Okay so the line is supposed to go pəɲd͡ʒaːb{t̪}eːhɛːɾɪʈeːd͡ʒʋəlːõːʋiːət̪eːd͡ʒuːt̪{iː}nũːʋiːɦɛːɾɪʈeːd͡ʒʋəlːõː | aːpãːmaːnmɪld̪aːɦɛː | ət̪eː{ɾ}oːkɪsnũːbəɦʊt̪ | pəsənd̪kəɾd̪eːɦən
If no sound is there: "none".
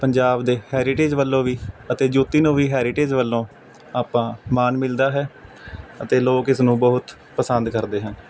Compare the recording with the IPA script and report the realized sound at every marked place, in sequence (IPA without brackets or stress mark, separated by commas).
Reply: d̪, iː, l